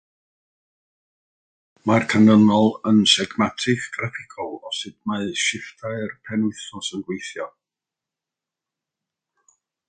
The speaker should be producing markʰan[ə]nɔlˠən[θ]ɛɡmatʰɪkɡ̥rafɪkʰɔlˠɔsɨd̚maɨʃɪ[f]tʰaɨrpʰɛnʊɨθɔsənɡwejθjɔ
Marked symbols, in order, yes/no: yes, no, yes

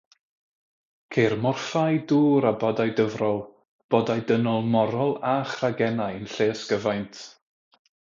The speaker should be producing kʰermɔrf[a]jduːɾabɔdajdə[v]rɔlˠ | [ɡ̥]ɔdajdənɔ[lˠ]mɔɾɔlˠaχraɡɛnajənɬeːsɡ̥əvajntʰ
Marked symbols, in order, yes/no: yes, yes, no, yes

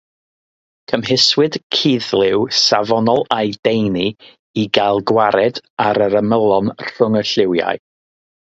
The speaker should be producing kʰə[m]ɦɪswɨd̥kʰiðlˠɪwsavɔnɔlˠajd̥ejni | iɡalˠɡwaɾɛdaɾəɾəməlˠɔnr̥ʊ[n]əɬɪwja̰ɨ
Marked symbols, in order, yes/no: yes, no

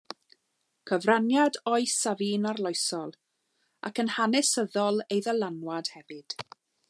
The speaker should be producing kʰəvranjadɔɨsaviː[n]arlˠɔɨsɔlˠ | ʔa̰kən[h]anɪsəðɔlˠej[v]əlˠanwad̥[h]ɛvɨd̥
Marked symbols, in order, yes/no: yes, yes, no, yes

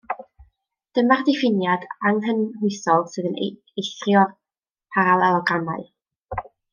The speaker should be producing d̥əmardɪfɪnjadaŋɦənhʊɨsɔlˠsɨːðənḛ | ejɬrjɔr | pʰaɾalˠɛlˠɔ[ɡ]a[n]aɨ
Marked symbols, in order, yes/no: yes, no

